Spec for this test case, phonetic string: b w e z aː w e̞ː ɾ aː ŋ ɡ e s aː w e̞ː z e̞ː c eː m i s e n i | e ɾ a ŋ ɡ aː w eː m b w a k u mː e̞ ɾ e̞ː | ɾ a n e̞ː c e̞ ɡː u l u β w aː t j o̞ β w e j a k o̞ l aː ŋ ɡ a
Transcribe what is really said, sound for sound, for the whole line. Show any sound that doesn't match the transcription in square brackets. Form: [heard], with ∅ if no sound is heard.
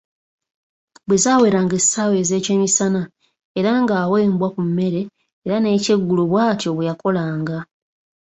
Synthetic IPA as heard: b w e z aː w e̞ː ɾ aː ŋ ɡ e s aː w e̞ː z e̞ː c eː m i s [a] n [a] | e ɾ a ŋ ɡ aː w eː m b w a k u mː e̞ ɾ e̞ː | ɾ a n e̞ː c e̞ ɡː u l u β w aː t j o̞ β w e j a k o̞ l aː ŋ ɡ a